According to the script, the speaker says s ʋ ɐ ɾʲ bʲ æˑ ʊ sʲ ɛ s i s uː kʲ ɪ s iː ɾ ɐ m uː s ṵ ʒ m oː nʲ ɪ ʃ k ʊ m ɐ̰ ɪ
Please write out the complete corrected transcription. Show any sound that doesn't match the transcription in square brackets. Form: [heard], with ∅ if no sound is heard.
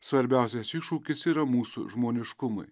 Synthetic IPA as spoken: s ʋ ɐ ɾʲ bʲ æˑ ʊ sʲ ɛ s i [ʃ] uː kʲ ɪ s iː ɾ ɐ m uː s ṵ ʒ m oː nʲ ɪ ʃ k ʊ m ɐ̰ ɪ

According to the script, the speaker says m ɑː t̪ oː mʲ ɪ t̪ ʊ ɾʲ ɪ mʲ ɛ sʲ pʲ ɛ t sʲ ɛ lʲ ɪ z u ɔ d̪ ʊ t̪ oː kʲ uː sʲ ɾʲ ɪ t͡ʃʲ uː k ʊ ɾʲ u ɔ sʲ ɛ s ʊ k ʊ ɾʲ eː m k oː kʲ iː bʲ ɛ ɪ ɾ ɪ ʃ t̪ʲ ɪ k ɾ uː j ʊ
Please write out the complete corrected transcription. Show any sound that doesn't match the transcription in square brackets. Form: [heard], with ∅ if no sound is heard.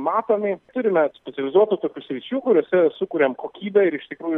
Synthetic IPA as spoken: m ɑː t̪ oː mʲ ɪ t̪ ʊ ɾʲ ɪ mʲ ɛ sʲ pʲ ɛ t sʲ ɛ lʲ ɪ z u ɔ [t̪] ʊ t̪ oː kʲ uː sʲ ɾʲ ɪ t͡ʃʲ uː k ʊ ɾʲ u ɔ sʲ ɛ s ʊ k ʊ ɾʲ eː m k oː kʲ iː bʲ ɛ ɪ ɾ ɪ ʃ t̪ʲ ɪ k ɾ uː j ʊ

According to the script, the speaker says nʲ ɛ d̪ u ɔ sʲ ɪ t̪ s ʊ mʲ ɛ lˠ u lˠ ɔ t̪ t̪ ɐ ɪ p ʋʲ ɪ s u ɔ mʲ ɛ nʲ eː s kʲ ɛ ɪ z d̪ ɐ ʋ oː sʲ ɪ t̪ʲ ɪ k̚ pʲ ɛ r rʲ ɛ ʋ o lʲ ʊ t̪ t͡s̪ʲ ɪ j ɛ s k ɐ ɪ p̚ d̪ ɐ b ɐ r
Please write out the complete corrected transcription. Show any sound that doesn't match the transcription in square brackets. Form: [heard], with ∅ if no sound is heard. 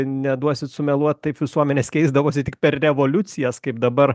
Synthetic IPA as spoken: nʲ ɛ d̪ u ɔ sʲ ɪ t̪ s ʊ mʲ ɛ lˠ u [∅] ɔ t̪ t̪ ɐ ɪ p ʋʲ ɪ s u ɔ mʲ ɛ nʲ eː s kʲ ɛ ɪ z d̪ ɐ ʋ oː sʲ ɪ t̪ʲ ɪ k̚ pʲ ɛ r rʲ ɛ ʋ o lʲ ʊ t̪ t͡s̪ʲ ɪ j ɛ s k ɐ ɪ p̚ d̪ ɐ b ɐ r

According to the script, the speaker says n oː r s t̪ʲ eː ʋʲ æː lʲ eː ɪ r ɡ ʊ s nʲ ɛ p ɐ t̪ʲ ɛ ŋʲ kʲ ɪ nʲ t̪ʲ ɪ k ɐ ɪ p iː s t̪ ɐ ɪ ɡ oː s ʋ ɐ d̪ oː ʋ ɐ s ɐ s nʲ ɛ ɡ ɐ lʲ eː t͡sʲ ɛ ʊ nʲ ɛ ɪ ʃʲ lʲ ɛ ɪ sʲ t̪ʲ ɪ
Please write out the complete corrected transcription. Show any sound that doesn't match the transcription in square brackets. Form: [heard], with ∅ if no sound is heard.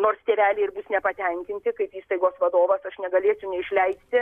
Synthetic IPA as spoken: n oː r s t̪ʲ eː ʋʲ æː lʲ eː ɪ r [b] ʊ s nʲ ɛ p ɐ t̪ʲ ɛ ŋʲ kʲ ɪ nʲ t̪ʲ ɪ k ɐ ɪ p iː s t̪ ɐ ɪ ɡ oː s ʋ ɐ d̪ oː ʋ ɐ s ɐ [ʃ] nʲ ɛ ɡ ɐ lʲ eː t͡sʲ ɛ ʊ nʲ ɛ ɪ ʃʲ lʲ ɛ ɪ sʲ t̪ʲ ɪ

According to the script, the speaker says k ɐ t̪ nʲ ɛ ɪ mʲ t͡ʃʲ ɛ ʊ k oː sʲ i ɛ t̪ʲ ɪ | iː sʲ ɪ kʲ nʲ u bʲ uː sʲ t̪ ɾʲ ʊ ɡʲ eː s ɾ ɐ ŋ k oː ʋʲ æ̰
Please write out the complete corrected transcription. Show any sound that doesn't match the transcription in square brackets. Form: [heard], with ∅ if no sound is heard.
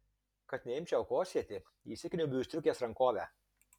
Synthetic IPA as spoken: k ɐ t̪ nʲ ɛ ɪ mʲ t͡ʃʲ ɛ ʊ k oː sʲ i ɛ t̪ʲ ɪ | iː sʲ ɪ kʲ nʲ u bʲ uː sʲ t̪ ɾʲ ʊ [kʲ] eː s ɾ ɐ ŋ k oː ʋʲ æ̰

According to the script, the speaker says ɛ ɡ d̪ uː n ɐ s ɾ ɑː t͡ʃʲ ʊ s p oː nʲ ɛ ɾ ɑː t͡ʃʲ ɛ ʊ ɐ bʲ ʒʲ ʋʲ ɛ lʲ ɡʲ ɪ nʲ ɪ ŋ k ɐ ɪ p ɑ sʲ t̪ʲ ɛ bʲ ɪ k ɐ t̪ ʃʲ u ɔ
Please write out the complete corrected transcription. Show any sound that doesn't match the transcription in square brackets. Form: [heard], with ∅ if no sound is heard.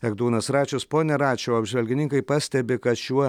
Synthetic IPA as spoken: ɛ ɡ d̪ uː n ɐ s ɾ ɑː t͡ʃʲ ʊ s p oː nʲ ɛ ɾ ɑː t͡ʃʲ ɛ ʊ ɐ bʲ ʒʲ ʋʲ ɛ lʲ ɡʲ ɪ nʲ ɪ ŋ k ɐ ɪ p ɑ sʲ t̪ʲ ɛ bʲ ɪ k ɐ t̪ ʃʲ u ɔ

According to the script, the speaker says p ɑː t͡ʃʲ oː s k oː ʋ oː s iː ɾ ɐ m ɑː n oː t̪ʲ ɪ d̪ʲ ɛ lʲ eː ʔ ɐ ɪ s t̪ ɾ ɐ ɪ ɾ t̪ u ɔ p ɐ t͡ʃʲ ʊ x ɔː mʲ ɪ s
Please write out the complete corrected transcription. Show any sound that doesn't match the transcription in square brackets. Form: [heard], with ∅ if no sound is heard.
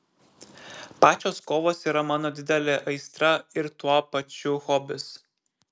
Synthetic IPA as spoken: p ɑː t͡ʃʲ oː s k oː ʋ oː s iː ɾ ɐ m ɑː n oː [d̪ʲ] ɪ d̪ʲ ɛ lʲ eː ʔ ɐ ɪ s t̪ ɾ ɐ ɪ ɾ t̪ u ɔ p ɐ t͡ʃʲ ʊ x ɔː [bʲ] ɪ s

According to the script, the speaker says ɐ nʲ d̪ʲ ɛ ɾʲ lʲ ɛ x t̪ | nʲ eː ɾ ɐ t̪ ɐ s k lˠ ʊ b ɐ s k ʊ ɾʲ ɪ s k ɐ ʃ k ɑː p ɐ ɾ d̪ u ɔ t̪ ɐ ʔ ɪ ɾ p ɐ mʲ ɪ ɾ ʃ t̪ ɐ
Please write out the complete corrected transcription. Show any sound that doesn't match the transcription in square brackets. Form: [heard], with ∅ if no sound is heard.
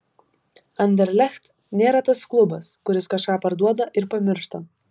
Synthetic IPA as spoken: ɐ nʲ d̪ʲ ɛ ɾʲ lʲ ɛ x t̪ | nʲ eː ɾ ɐ t̪ ɐ s k lˠ ʊ b ɐ s k ʊ ɾʲ ɪ s k ɐ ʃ k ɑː p ɐ ɾ d̪ u ɔ [d̪] ɐ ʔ ɪ ɾ p ɐ mʲ ɪ ɾ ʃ t̪ ɐ

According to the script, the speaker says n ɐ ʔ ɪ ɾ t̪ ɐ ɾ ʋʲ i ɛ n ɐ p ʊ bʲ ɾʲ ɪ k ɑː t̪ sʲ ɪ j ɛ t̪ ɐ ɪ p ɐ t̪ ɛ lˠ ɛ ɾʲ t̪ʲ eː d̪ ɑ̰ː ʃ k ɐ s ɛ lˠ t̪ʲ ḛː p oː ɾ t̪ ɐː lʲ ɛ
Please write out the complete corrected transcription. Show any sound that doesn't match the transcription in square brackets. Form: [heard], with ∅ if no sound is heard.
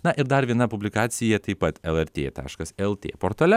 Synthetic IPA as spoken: n ɐ ʔ ɪ ɾ [d̪] ɐ ɾ ʋʲ i ɛ n ɐ p ʊ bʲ [lʲ] ɪ k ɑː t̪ sʲ ɪ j ɛ t̪ ɐ ɪ p ɐ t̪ ɛ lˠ ɛ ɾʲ t̪ʲ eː [t̪] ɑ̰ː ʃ k ɐ s ɛ lˠ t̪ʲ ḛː p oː ɾ t̪ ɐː lʲ ɛ

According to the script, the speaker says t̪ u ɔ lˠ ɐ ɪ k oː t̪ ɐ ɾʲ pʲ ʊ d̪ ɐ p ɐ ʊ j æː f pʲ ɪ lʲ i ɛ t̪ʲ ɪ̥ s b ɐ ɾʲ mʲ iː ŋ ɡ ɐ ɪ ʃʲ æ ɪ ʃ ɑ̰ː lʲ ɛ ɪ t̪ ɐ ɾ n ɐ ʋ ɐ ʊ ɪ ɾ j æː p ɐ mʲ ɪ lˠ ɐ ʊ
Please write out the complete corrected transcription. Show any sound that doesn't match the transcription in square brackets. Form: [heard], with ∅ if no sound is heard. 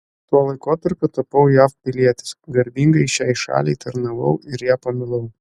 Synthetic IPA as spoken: t̪ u ɔ lˠ ɐ ɪ k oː t̪ ɐ ɾʲ pʲ ʊ [t̪] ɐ p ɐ ʊ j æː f pʲ ɪ lʲ i ɛ t̪ʲ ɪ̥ s [ɡ] ɐ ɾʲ [bʲ] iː ŋ ɡ ɐ ɪ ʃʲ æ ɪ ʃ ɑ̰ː lʲ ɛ ɪ t̪ ɐ ɾ n ɐ ʋ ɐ ʊ ɪ ɾ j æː p ɐ mʲ ɪ lˠ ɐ ʊ

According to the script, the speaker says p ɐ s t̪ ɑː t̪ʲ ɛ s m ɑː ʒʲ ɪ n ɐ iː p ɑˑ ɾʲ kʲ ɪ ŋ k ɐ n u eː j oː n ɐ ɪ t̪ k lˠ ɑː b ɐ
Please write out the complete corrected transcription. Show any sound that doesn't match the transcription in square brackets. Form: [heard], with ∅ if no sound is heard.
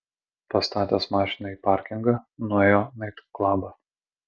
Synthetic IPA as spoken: p ɐ s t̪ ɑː t̪ʲ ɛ s m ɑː [ʃʲ] ɪ n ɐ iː p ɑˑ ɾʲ kʲ ɪ ŋ [ɡ] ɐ n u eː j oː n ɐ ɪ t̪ k lˠ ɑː b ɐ

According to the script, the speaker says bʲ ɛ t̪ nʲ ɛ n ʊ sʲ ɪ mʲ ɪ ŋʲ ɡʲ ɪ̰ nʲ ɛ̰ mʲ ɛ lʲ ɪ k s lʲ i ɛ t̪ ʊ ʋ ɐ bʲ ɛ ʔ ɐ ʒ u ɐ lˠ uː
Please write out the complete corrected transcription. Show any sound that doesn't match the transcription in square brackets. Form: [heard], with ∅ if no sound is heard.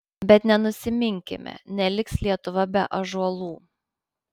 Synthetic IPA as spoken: bʲ ɛ t̪ nʲ ɛ n ʊ sʲ ɪ mʲ ɪ ŋʲ [kʲ] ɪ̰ [mʲ] ɛ̰ [nʲ] ɛ lʲ ɪ k s lʲ i ɛ t̪ ʊ ʋ ɐ bʲ ɛ ʔ ɐ ʒ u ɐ lˠ uː

